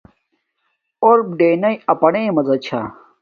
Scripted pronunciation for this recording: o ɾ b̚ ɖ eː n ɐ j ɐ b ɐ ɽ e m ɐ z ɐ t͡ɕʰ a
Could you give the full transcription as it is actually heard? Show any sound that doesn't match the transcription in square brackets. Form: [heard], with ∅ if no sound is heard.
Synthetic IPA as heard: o ɾ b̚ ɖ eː n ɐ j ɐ [p] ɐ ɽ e m ɐ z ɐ t͡ɕʰ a